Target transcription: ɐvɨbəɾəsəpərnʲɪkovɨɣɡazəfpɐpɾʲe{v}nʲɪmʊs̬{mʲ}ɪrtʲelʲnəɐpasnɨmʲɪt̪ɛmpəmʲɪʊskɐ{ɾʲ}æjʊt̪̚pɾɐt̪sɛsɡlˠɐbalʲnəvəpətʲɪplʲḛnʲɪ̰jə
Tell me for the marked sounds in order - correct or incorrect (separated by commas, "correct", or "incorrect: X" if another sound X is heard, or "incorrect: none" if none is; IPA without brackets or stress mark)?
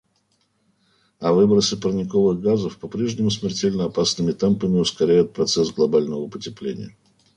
incorrect: ʐ, correct, correct